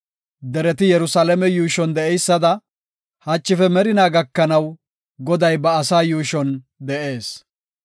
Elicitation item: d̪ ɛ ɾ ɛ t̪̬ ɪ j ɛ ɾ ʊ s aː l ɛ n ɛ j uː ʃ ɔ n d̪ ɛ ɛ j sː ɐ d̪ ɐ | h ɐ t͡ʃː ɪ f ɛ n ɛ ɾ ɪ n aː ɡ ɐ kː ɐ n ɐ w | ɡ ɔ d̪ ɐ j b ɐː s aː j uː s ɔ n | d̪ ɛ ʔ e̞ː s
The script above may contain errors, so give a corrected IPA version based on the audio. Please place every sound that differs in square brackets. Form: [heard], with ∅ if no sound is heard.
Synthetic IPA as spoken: d̪ ɛ ɾ ɛ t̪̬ ɪ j ɛ ɾ ʊ s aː l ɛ [m] ɛ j uː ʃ ɔ n d̪ ɛ ɛ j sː ɐ d̪ ɐ | h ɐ t͡ʃː ɪ f ɛ [m] ɛ ɾ ɪ n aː ɡ ɐ kː ɐ n ɐ w | ɡ ɔ d̪ ɐ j b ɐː s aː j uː [ʃ] ɔ n | d̪ ɛ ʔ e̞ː s

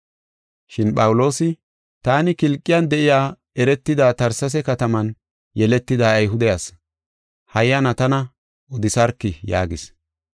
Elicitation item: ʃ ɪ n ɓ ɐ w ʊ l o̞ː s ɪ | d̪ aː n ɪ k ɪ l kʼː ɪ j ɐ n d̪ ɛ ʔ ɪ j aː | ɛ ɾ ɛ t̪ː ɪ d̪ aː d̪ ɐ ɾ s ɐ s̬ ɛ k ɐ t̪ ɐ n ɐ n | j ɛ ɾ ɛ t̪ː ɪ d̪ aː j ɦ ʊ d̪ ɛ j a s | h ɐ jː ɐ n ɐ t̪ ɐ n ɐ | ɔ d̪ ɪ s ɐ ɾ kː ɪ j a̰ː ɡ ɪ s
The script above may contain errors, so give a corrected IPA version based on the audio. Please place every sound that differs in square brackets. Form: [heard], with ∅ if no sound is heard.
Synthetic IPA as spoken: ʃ ɪ n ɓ ɐ w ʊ l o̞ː s ɪ | [t̪] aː n ɪ k ɪ l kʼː ɪ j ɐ n d̪ ɛ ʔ ɪ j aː | ɛ ɾ ɛ t̪ː ɪ d̪ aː [t̪] ɐ ɾ s ɐ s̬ ɛ k ɐ t̪ ɐ [m] ɐ n | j ɛ [l] ɛ t̪ː ɪ d̪ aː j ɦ ʊ d̪ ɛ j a s | h ɐ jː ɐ n ɐ t̪ ɐ n ɐ | ɔ d̪ ɪ s ɐ ɾ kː ɪ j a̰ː ɡ ɪ s

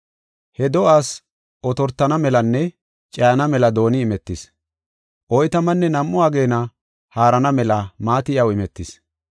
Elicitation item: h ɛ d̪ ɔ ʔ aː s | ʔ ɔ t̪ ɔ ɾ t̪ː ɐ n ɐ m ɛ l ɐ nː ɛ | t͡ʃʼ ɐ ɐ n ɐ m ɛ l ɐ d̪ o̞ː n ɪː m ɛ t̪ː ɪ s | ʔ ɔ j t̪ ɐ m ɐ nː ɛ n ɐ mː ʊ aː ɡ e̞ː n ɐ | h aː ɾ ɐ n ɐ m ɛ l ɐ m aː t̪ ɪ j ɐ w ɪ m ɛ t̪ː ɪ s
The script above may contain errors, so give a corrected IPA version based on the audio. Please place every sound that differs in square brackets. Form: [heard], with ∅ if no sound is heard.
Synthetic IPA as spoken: h ɛ d̪ ɔ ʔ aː s | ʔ ɔ t̪ ɔ ɾ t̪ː ɐ n ɐ m ɛ l ɐ nː ɛ | t͡ʃʼ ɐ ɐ n ɐ m ɛ l ɐ d̪ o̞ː n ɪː m ɛ t̪ː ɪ s | ʔ ɔ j t̪ ɐ m ɐ nː ɛ n ɐ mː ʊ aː ɡ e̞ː n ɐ | h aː ɾ ɐ n ɐ m ɛ l ɐ m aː t̪ ɪ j ɐ w ɪ m ɛ t̪ː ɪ s

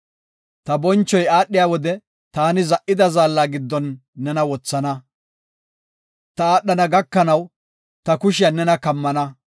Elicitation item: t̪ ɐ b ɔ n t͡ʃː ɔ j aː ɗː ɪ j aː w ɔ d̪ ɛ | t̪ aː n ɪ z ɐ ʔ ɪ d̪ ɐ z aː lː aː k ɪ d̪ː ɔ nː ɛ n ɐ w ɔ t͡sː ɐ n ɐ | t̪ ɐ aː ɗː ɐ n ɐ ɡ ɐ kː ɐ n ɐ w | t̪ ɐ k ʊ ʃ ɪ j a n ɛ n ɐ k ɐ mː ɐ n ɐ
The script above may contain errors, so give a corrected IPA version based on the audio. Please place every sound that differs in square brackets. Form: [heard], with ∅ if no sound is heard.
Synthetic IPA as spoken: t̪ ɐ b ɔ n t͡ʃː ɔ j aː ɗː ɪ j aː w ɔ d̪ ɛ | t̪ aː n ɪ z ɐ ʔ ɪ d̪ ɐ z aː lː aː [ɡ] ɪ d̪ː ɔ nː ɛ n ɐ w ɔ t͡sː ɐ n ɐ | t̪ ɐ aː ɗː ɐ n ɐ ɡ ɐ kː ɐ n ɐ w | t̪ ɐ k ʊ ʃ ɪ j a n ɛ n ɐ k ɐ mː ɐ n ɐ

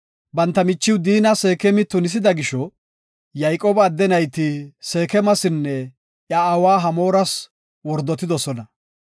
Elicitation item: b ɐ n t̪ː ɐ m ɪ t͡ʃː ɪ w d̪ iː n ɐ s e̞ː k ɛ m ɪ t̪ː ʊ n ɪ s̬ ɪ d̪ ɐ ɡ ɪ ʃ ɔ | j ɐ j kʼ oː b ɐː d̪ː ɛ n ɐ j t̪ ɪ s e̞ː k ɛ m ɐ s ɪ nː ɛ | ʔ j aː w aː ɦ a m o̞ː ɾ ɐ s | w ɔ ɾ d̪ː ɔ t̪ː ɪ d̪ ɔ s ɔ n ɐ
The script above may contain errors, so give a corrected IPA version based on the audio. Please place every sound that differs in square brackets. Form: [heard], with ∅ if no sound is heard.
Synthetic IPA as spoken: b ɐ n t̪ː ɐ m ɪ t͡ʃː ɪ w d̪ iː n ɐ s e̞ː k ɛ m ɪ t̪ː ʊ n ɪ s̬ ɪ d̪ ɐ ɡ ɪ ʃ ɔ | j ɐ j kʼ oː b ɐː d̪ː ɛ n ɐ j t̪ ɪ s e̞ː k ɛ m ɐ s ɪ nː ɛ | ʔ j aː w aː ɦ [ɐ] m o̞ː ɾ ɐ s | w ɔ ɾ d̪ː ɔ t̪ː ɪ d̪ ɔ s ɔ n ɐ

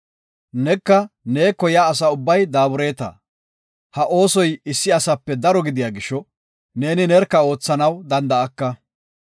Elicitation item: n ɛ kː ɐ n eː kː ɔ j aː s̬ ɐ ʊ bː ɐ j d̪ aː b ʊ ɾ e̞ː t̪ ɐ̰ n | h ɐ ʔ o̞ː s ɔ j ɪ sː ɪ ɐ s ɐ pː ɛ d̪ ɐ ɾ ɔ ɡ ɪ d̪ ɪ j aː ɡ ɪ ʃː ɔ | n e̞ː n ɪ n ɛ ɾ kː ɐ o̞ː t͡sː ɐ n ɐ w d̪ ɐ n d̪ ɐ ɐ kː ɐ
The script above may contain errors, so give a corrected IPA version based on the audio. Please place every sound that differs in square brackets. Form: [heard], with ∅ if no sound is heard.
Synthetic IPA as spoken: n ɛ kː ɐ n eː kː ɔ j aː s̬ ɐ ʊ bː ɐ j d̪ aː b ʊ ɾ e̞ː t̪ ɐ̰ [∅] | h ɐ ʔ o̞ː s ɔ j ɪ sː ɪ ɐ s ɐ pː ɛ d̪ ɐ ɾ ɔ ɡ ɪ d̪ ɪ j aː ɡ ɪ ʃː ɔ | n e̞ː n ɪ n ɛ ɾ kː ɐ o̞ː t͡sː ɐ n ɐ w d̪ ɐ n d̪ ɐ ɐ kː ɐ

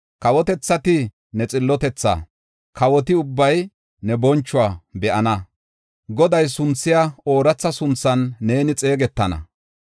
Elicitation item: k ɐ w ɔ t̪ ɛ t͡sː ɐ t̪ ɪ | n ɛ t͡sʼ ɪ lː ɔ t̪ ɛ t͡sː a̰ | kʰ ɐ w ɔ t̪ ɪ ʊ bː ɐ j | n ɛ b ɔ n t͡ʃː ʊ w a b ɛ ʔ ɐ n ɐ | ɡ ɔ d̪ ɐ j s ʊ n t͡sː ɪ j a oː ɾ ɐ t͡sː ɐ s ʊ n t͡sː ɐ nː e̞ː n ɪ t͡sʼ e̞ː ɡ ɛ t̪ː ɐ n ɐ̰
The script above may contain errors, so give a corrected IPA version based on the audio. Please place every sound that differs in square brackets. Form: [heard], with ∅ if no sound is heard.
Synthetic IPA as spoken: k ɐ w ɔ t̪ ɛ t͡sː ɐ t̪ ɪ | n ɛ t͡sʼ ɪ lː ɔ t̪ ɛ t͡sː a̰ | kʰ ɐ w ɔ t̪ ɪ ʊ bː ɐ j | n ɛ b ɔ n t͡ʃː ʊ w a b ɛ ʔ ɐ n ɐ | ɡ ɔ d̪ ɐ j s ʊ n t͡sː ɪ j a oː ɾ ɐ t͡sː ɐ s ʊ n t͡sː ɐ nː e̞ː n ɪ t͡sʼ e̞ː ɡ ɛ t̪ː ɐ n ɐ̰

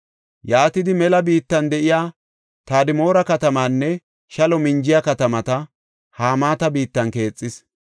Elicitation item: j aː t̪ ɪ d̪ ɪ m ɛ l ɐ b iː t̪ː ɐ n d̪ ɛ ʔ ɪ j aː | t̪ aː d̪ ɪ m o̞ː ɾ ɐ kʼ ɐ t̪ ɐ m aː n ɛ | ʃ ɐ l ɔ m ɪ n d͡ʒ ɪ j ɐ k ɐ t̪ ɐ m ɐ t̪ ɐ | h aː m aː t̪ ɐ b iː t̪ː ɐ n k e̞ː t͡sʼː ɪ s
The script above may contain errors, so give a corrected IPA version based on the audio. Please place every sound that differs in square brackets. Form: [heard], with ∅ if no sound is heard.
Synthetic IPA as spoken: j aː t̪ ɪ d̪ ɪ m ɛ l ɐ b iː t̪ː ɐ n d̪ ɛ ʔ ɪ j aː | t̪ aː d̪ ɪ m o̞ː ɾ ɐ [k] ɐ t̪ ɐ m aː [nː] ɛ | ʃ ɐ l ɔ m ɪ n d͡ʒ ɪ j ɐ k ɐ t̪ ɐ m ɐ t̪ ɐ | h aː m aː t̪ ɐ b iː t̪ː ɐ n k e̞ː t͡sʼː ɪ s

